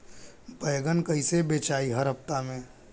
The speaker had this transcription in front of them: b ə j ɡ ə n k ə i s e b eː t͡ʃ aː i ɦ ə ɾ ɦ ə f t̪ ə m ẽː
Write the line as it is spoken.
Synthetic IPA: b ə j ɡ ə n k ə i s e b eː t͡ʃ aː i ɦ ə ɾ ɦ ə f t̪ a m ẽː